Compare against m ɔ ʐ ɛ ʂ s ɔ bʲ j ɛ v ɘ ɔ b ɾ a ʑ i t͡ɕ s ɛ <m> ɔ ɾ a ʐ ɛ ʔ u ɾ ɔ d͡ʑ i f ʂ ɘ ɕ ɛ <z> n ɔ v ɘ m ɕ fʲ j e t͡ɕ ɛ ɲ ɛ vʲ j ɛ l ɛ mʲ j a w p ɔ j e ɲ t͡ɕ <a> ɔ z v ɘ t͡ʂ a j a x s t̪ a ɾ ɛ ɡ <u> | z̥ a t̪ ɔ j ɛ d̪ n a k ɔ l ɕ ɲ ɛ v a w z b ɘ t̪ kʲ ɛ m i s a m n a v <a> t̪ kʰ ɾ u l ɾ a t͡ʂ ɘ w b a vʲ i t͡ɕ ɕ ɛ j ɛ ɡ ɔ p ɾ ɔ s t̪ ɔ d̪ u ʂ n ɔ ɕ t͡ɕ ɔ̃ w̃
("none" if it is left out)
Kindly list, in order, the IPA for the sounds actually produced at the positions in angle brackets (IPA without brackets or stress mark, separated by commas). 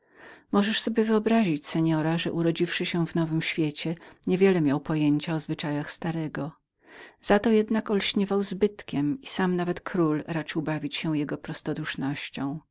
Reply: ɲ, v, a, ɔ, ɛ